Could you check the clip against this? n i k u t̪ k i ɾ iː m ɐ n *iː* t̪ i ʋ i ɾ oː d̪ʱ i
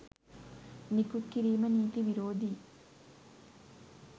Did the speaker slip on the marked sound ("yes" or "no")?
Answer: no